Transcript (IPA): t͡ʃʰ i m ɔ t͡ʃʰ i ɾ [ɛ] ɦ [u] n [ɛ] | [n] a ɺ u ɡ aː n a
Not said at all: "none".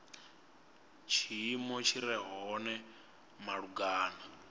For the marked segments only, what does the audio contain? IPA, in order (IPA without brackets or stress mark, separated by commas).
ɛ, ɔ, ɛ, m